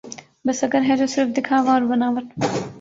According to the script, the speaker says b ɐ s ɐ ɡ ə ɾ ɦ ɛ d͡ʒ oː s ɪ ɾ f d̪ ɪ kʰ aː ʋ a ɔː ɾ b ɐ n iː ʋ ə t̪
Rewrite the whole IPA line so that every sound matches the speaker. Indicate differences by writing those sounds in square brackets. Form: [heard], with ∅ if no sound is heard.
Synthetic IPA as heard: b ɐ s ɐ ɡ ə ɾ ɦ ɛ d͡ʒ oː s ɪ ɾ f d̪ ɪ kʰ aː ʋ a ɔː ɾ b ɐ n [aː] ʋ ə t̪